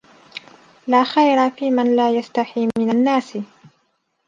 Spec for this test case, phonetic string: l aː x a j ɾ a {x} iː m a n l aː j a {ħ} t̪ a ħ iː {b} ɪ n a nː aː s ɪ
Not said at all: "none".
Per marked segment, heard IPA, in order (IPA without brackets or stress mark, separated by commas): f, s, m